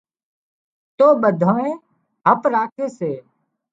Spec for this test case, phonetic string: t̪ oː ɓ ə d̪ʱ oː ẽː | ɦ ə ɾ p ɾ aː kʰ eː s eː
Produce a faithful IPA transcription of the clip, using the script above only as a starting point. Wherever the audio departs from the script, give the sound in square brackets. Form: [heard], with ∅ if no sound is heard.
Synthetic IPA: t̪ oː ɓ ə d̪ʱ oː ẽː | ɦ ə [∅] p ɾ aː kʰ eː s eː